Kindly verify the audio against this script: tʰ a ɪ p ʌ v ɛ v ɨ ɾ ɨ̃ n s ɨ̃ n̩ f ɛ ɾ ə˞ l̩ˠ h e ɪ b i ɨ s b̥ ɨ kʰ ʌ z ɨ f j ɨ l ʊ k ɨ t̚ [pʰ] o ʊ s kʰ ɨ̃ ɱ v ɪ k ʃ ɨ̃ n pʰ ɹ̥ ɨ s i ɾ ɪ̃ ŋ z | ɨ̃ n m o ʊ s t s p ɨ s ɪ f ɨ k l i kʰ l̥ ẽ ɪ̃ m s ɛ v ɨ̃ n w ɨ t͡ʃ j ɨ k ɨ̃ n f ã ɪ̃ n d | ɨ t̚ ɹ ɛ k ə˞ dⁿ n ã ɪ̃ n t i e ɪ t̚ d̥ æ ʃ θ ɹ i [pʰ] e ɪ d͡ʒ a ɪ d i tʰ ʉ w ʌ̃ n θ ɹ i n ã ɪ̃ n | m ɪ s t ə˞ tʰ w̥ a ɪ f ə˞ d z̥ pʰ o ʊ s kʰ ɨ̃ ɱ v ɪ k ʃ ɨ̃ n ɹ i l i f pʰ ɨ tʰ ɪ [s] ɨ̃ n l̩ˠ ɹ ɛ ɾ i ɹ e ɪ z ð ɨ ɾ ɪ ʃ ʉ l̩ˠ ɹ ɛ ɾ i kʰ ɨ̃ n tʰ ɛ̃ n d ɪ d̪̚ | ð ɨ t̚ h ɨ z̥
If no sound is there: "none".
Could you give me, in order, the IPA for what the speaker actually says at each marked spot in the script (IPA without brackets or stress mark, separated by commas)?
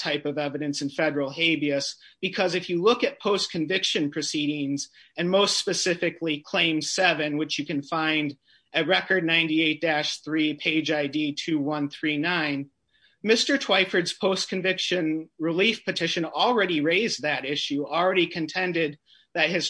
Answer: pʰ, pʰ, ʃ